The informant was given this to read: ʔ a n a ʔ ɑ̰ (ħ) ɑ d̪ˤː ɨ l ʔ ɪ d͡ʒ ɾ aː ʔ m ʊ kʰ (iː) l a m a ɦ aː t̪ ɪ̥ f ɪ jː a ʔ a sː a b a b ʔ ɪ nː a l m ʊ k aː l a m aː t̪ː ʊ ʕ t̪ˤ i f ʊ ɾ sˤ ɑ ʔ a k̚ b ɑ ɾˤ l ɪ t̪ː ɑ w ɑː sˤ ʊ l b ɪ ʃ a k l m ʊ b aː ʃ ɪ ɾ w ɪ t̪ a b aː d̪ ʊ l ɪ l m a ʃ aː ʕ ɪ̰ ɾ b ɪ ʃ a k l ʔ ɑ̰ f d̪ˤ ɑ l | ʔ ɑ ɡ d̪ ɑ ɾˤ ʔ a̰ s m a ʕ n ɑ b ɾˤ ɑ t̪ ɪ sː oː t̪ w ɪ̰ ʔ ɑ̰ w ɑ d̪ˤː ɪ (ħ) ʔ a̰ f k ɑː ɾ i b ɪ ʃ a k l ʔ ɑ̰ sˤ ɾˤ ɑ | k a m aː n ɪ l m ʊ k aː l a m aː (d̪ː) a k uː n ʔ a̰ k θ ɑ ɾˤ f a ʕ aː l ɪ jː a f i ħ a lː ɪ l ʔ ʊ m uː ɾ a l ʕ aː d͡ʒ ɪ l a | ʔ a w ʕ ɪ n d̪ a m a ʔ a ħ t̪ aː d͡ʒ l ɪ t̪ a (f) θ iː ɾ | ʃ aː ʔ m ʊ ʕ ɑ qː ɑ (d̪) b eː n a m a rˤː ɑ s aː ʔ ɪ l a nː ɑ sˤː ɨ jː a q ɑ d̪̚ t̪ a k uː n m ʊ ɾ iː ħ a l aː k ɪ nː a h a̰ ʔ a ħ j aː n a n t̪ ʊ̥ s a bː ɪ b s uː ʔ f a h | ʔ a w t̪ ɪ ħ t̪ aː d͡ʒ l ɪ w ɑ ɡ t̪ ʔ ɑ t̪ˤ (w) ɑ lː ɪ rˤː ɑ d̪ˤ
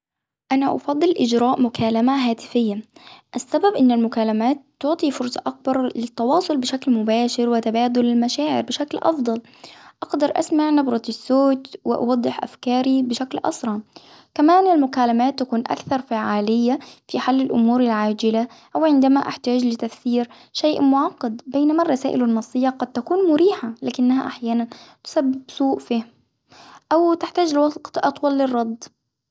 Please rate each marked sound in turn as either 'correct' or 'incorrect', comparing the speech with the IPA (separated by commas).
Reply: incorrect, incorrect, correct, incorrect, correct, correct, correct